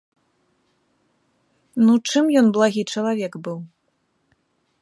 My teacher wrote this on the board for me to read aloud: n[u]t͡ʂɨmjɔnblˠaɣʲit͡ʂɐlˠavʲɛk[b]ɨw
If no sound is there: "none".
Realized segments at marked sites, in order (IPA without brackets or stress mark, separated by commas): u, b